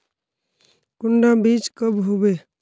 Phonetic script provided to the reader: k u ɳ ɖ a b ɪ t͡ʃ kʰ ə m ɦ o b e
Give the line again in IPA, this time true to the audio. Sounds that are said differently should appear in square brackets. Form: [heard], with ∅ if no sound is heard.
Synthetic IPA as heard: k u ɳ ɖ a b [i] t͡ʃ [k] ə [b] ɦ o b e